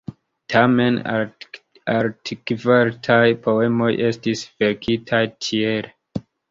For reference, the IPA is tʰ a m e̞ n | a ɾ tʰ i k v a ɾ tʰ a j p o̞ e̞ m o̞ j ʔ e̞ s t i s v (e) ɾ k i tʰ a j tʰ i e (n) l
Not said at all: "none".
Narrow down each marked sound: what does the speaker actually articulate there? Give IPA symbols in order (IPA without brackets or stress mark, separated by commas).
e, none